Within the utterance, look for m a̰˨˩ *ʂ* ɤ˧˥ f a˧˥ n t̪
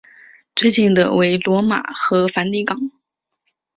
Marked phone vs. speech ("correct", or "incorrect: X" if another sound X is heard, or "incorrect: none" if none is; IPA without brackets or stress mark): incorrect: x